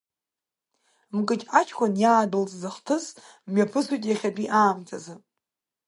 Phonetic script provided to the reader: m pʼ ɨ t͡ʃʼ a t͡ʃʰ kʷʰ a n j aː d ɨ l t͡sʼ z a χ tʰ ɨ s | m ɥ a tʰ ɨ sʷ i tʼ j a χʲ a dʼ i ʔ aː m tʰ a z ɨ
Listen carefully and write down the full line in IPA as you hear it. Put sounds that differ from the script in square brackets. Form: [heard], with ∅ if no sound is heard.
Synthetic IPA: m [kʼ] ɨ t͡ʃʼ a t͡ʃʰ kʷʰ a n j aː d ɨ l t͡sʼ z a χ tʰ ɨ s | m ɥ a [pʰ] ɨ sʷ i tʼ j a χʲ a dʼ i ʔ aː m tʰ a z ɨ